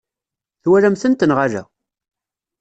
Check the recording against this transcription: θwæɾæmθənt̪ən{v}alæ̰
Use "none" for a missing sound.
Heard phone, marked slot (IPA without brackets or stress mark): ʁ